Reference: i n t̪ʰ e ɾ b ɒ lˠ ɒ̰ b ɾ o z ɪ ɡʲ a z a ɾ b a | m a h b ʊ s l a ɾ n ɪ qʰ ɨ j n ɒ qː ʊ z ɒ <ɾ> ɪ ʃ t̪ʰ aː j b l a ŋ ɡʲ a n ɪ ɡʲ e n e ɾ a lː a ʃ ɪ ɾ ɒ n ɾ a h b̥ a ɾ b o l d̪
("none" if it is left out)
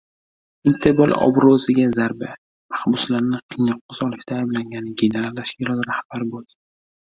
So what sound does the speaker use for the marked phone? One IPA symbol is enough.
l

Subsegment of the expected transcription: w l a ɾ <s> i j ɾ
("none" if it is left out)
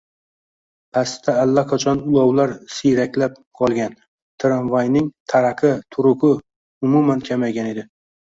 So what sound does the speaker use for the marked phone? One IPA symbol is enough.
s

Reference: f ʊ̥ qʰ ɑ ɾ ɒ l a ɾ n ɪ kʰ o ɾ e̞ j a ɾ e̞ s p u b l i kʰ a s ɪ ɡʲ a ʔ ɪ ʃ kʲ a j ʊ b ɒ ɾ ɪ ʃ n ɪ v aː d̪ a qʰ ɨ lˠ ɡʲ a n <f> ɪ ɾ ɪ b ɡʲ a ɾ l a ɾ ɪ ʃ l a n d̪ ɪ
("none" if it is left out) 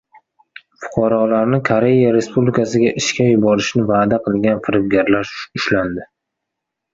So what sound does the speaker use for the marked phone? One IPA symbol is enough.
f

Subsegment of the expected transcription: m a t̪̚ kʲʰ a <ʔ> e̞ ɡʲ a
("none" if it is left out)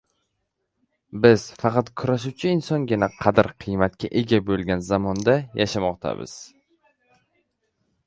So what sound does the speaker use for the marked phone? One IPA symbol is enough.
ʔ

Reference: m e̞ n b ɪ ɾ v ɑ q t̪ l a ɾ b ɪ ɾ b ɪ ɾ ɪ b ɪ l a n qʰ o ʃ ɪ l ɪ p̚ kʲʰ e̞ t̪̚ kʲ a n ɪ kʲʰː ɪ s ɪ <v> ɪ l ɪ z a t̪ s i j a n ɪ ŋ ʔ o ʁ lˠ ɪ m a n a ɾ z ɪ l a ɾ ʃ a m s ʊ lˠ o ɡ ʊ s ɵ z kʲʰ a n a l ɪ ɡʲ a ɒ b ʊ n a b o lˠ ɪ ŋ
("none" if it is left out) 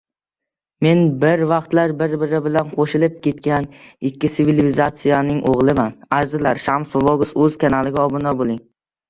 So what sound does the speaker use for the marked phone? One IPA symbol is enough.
v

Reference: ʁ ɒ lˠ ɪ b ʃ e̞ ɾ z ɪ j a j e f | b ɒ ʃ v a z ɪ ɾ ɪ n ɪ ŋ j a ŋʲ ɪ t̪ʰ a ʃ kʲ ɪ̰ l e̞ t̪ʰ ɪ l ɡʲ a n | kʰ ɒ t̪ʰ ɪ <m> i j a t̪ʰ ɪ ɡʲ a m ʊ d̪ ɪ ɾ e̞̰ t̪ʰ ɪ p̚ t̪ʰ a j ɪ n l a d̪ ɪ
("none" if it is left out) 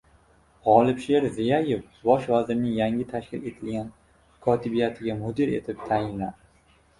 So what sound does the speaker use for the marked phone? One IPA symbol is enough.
b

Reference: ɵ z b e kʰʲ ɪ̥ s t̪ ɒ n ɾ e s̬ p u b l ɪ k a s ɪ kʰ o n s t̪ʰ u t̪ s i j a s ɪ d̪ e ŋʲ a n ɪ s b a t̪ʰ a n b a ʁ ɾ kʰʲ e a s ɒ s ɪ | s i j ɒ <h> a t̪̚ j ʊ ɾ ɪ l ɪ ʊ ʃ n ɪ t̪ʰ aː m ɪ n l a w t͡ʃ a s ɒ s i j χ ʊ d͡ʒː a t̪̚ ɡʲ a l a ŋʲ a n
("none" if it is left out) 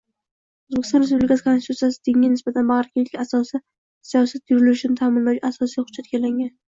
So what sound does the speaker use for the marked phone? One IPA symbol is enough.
s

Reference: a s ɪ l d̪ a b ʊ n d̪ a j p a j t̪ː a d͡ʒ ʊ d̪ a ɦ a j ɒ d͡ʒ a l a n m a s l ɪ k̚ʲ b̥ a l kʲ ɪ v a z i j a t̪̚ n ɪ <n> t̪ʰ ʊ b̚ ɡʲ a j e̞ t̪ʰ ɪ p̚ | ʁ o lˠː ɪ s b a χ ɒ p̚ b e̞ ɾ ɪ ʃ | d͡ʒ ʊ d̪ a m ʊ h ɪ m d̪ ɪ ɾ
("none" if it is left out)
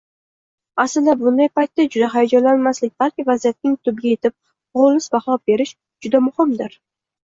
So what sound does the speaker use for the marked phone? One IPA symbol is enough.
ŋ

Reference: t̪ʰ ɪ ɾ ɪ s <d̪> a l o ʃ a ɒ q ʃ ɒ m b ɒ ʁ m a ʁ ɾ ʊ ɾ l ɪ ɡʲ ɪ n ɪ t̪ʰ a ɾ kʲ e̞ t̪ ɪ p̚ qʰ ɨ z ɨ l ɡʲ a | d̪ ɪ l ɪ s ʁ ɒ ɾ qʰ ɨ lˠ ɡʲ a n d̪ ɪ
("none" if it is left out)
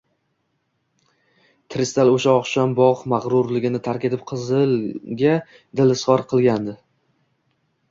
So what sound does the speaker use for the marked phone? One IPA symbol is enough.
t̪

